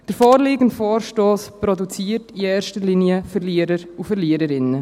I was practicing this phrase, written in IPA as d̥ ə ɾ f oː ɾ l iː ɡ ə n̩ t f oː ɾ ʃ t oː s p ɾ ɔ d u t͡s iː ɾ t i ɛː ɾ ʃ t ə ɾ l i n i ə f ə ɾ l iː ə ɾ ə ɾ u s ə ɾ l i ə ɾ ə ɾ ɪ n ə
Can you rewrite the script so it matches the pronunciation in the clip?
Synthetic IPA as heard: d̥ ə ɾ f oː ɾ l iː ɡ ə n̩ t f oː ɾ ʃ t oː s p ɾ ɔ d u t͡s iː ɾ t i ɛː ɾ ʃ t ə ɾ l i n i ə f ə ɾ l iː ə ɾ ə ɾ u f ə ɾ l i ə ɾ ə ɾ ɪ n ə